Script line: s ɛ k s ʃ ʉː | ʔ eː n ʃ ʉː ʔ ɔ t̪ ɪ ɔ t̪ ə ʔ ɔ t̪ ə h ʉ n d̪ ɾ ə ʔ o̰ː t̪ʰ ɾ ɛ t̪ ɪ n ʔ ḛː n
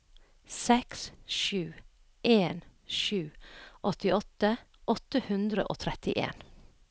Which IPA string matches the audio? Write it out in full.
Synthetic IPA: s ɛ k s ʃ ʉː | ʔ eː n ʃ ʉː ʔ ɔ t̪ ɪ ɔ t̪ ə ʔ ɔ t̪ ə h ʉ n d̪ ɾ ə ʔ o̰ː t̪ʰ ɾ ɛ t̪ ɪ ʔ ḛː n